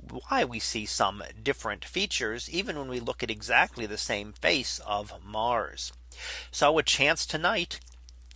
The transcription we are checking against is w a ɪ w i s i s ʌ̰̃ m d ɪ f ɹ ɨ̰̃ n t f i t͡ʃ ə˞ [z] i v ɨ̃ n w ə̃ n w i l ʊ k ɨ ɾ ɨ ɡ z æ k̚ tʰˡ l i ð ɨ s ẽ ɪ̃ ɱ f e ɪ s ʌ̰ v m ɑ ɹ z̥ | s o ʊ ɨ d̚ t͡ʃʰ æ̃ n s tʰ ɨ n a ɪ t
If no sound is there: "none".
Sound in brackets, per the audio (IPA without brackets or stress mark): z